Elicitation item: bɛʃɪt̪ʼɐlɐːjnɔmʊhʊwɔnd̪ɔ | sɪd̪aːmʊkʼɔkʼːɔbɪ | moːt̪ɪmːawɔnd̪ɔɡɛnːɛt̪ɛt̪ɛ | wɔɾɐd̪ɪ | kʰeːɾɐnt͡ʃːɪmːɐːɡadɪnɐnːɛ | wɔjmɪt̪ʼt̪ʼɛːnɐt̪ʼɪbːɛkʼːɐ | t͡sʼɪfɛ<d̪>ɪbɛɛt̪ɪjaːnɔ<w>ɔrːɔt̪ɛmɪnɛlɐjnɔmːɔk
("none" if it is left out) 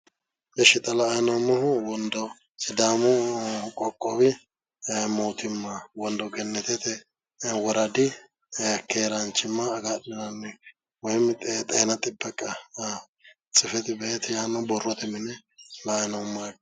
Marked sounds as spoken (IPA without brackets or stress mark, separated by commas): t̪, b